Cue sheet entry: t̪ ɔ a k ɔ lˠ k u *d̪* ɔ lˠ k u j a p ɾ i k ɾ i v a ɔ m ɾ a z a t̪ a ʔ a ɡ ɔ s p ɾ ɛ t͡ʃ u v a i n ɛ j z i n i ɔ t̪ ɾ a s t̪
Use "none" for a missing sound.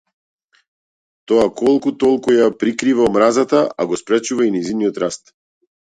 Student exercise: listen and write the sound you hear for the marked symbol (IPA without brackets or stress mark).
t̪